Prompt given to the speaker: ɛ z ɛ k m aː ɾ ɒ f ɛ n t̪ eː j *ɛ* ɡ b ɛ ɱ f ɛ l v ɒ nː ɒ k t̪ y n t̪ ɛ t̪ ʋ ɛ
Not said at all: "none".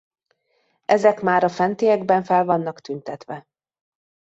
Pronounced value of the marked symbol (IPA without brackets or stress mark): ɛ